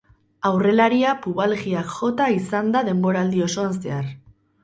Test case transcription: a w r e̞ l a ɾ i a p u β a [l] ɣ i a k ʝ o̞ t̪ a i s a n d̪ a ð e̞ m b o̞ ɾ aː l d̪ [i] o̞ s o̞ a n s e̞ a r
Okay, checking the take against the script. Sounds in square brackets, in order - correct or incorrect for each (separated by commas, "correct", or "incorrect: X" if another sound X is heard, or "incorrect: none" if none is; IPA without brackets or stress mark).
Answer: correct, correct